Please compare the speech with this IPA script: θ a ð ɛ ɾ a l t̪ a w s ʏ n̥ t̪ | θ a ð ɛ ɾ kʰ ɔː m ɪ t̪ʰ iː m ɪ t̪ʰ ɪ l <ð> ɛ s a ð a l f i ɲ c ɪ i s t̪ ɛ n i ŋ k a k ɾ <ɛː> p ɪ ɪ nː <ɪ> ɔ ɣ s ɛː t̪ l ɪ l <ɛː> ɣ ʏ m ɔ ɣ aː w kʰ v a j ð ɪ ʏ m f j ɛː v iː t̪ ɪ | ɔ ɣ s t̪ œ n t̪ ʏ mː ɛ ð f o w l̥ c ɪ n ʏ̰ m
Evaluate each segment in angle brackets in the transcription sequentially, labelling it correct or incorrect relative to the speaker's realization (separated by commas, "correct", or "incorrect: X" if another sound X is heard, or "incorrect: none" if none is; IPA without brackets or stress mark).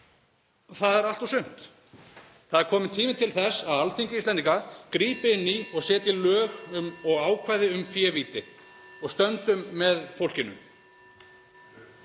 incorrect: θ, incorrect: iː, incorrect: i, incorrect: œː